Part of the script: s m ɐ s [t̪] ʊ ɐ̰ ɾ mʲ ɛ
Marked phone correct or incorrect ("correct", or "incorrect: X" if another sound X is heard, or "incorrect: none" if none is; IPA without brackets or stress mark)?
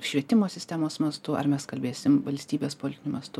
correct